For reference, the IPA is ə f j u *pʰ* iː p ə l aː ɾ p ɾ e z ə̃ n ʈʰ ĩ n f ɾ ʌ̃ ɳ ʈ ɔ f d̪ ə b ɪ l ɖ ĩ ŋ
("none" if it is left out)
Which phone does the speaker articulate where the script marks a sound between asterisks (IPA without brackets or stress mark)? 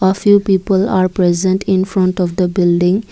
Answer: p